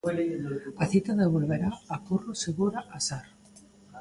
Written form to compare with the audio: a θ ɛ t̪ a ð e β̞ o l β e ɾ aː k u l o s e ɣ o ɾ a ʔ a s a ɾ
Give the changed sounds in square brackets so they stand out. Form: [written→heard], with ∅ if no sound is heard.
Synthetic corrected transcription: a θ [ɛ→i] t̪ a ð e β̞ o l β e ɾ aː k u [l→r] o s e ɣ [o→u] ɾ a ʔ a s a ɾ